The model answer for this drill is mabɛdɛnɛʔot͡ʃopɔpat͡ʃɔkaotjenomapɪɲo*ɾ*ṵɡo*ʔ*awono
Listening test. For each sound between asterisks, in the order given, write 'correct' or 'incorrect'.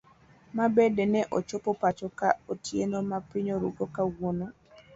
correct, incorrect: k

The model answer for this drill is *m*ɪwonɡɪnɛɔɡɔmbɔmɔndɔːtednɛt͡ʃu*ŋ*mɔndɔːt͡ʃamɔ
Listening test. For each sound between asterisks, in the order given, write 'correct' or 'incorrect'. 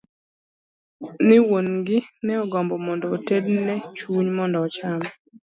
incorrect: n, incorrect: ɲ

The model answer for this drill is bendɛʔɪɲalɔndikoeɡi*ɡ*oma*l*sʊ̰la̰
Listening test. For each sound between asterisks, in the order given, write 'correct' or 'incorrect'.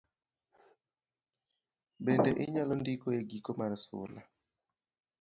incorrect: k, incorrect: ɾ

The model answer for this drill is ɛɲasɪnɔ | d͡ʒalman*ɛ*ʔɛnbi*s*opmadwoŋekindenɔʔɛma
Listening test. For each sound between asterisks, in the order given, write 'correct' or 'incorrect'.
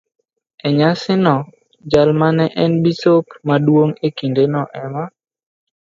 correct, correct

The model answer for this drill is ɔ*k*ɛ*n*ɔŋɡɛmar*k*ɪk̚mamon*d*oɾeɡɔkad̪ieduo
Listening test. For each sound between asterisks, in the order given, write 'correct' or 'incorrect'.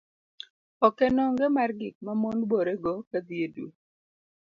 correct, correct, incorrect: ɡ, incorrect: b

